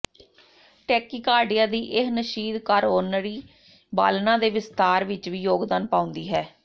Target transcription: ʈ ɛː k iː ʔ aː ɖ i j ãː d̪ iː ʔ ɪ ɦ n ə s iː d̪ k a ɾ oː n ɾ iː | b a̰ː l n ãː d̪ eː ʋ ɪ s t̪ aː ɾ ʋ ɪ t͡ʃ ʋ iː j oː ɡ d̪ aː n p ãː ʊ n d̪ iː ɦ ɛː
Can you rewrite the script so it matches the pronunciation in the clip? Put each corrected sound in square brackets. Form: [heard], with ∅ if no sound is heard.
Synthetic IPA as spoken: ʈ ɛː k iː [k] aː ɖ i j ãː d̪ iː ʔ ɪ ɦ n ə [ʃ] iː d̪ k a ɾ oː n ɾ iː | b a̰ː l n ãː d̪ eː ʋ ɪ s t̪ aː ɾ ʋ ɪ t͡ʃ ʋ iː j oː ɡ d̪ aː n p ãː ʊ n d̪ iː ɦ ɛː